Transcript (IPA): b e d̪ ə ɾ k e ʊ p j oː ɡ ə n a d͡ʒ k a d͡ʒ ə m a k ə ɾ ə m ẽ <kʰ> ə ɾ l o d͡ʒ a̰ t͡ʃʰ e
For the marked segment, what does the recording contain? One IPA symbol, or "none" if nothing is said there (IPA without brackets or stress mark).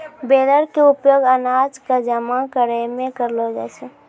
k